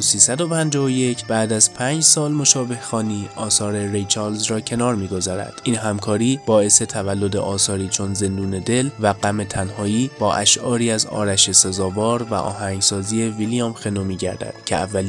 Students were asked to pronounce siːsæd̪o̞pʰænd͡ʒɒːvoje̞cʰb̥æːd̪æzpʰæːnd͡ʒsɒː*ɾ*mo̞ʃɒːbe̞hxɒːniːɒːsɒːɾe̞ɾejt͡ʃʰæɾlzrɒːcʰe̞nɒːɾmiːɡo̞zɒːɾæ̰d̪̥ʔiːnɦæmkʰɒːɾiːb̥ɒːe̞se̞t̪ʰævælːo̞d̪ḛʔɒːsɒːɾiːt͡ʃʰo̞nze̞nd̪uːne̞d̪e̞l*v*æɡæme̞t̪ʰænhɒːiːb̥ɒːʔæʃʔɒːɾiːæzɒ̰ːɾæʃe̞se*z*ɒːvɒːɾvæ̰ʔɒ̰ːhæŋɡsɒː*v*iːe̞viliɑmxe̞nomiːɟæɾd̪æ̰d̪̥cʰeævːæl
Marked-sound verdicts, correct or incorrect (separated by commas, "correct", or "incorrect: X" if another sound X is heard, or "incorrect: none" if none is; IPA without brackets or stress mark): incorrect: l, correct, correct, incorrect: z